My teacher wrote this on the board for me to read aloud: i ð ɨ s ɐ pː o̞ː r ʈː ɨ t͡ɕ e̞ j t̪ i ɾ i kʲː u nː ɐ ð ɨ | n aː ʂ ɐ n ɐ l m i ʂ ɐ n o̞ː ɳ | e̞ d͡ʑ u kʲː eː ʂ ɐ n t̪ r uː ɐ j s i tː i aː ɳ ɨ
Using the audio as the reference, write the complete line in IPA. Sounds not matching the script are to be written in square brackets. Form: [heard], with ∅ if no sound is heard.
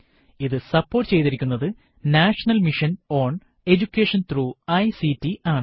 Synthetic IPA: i ð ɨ s ɐ pː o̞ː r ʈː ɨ t͡ɕ e̞ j t̪ i ɾ i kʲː u nː ɐ ð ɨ | n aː ʂ ɐ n ɐ l m i ʂ ɐ n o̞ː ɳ | e̞ d͡ʑ u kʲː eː ʂ ɐ n t̪ r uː ɐ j s i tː i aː ɳ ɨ